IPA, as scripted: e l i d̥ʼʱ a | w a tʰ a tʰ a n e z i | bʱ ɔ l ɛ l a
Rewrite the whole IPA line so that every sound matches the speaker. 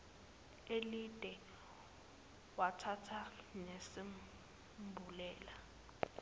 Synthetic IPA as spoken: e l i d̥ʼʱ ɛ | w a tʰ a tʰ a n e s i | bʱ u l ɛː l a